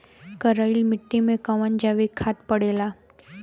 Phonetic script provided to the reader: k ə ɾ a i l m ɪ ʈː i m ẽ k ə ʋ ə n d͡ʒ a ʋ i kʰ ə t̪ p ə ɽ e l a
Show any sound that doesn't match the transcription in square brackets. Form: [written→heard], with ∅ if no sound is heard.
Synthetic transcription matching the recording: k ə ɾ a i l m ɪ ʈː i m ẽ k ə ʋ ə n d͡ʒ a ʋ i kʰ [ə→a] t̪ p ə ɽ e l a